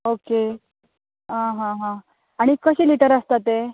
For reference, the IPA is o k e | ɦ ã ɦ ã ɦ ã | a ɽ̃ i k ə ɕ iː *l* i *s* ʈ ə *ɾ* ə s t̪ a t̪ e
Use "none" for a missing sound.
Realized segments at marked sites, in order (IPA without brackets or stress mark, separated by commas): l, none, ɾ